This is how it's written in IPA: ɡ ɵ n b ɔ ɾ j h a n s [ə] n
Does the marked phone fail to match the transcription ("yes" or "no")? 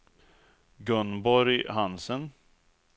no